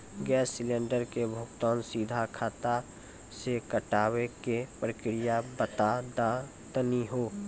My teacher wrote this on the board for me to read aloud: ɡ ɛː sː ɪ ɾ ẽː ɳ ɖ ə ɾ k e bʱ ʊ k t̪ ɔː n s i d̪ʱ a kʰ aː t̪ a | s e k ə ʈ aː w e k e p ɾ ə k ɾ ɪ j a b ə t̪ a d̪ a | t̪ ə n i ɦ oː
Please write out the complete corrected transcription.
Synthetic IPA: ɡ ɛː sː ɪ l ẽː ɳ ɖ ə ɾ k e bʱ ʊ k t̪ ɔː n s i d̪ʱ a kʰ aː t̪ a | s e k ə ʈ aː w e k e p ɾ ə k ɾ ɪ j a b ə t̪ a d̪ a | t̪ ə n i ɦ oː

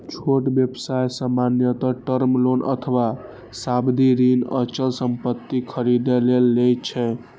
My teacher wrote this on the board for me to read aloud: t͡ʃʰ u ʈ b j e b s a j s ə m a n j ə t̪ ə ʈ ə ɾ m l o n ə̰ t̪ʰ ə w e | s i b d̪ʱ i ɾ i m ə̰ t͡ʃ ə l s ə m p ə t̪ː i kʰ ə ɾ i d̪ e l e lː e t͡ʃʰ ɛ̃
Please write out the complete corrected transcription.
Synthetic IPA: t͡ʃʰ o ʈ b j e b s a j s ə m a n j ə t̪ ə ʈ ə ɾ m l o n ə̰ t̪ʰ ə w a | s a b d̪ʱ i ɾ i n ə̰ t͡ʃ ə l s ə m p ə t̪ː i kʰ ə ɾ i d̪ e l e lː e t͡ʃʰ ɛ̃

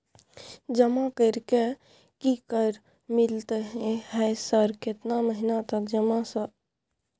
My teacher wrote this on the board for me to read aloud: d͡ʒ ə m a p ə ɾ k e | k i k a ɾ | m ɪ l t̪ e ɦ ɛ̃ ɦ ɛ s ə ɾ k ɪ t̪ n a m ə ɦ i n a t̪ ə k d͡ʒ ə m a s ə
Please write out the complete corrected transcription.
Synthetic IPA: d͡ʒ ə m a k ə ɾ k e | k i k ə ɾ | m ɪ l t̪ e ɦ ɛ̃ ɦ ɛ s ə ɾ k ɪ t̪ n a m ə ɦ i n a t̪ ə k d͡ʒ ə m a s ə

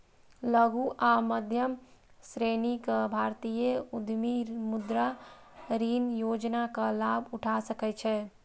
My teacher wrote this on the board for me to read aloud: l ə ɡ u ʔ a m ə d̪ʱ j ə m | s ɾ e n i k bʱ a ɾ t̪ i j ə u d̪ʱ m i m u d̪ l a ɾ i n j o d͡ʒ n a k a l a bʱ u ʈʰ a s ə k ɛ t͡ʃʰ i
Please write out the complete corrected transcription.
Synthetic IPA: l ə ɡ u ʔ a m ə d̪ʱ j ə m | s ɾ e n i k bʱ a ɾ t̪ i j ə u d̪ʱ m i m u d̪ ɾ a ɾ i n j o d͡ʒ n a k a l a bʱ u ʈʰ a s ə k ɛ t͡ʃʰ ɛ

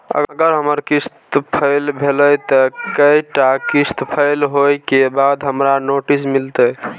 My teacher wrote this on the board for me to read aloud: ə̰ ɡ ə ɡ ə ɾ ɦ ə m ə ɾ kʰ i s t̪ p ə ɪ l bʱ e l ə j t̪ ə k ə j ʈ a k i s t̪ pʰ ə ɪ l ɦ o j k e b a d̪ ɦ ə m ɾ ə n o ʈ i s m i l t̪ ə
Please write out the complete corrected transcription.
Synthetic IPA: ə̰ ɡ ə ɡ ə ɾ ɦ ə m ə ɾ k i s t̪ pʰ ə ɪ l bʱ e l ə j t̪ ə k ə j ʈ a k i s t̪ pʰ ə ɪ l ɦ o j k e b a d̪ ɦ ə m ɾ a n o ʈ i s m i l t̪ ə

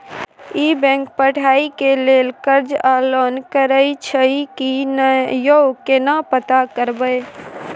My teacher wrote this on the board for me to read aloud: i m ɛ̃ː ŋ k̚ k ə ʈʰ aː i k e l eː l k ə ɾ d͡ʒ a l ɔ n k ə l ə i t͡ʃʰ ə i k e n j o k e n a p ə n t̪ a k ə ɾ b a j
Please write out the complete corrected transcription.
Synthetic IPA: i b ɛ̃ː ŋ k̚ p ə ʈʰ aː i k e l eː l k ə ɾ d͡ʒ a l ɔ n k ə ɾ ə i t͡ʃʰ ə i k i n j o k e n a p ə t̪ a k ə ɾ b ə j

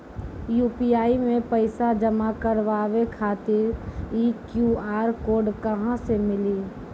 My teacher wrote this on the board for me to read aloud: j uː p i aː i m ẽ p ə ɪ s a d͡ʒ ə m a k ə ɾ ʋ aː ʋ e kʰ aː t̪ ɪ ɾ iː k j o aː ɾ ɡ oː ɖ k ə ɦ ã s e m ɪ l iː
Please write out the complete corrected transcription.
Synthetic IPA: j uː p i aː i m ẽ p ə ɪ s a d͡ʒ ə m a k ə ɾ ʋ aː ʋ e kʰ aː t̪ ɪ ɾ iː k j u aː ɾ k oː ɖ k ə ɦ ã s e m ɪ l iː

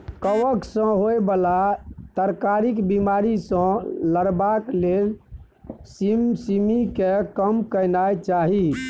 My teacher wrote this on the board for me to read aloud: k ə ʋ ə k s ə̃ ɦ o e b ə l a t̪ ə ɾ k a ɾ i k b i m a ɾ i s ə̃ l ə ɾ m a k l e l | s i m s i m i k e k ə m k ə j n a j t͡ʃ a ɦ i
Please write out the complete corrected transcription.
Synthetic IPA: k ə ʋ ə k s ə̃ ɦ o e b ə l a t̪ ə ɾ k a ɾ i k b i m a ɾ i s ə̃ l ə ɾ b a k l e l | s i m s i m i k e k ə m k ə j n a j t͡ʃ a ɦ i

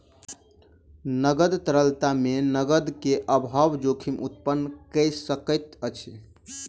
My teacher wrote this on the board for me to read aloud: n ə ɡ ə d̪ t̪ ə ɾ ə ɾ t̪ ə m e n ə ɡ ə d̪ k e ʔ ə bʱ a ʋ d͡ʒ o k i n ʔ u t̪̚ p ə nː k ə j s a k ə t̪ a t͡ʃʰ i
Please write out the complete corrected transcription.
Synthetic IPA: n ə ɡ ə d̪ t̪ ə ɾ ə l t̪ a m e n ə ɡ ə d̪ k e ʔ ə bʱ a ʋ d͡ʒ o kʰ i m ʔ u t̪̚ p ə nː k ə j s ə k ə t̪ ə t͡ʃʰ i

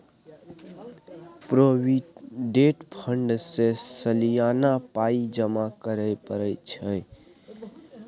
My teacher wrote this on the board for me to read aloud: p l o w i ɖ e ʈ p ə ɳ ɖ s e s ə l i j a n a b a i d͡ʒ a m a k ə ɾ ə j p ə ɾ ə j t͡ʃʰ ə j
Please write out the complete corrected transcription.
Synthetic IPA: p ɾ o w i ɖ e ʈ pʰ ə ɳ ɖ s e s ə l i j a n a p a i d͡ʒ ə m a k ə ɾ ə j p ə ɾ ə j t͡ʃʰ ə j

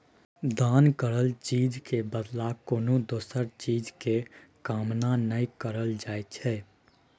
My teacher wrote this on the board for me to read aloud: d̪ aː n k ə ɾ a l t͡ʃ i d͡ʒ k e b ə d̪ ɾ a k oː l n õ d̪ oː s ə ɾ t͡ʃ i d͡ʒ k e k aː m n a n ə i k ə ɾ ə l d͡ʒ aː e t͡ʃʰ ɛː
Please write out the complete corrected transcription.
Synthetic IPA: d̪ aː n k ə ɾ ə l t͡ʃ iː d͡ʒ k e b ə d̪ l a k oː n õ d̪ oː s ə ɾ t͡ʃ iː d͡ʒ k e k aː m n a n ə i k ə ɾ ə l d͡ʒ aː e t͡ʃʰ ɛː

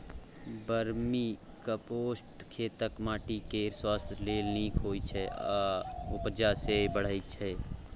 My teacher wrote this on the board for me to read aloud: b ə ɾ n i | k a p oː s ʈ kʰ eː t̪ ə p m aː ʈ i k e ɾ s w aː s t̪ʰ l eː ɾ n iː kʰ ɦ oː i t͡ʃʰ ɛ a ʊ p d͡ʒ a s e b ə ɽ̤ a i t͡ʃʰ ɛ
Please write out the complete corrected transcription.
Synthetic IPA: b ə ɾ m i | k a p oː s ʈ kʰ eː t̪ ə k m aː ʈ i k e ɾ s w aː s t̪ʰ l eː l n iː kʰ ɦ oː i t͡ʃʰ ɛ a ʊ p d͡ʒ a s e b ə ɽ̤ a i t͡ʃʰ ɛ

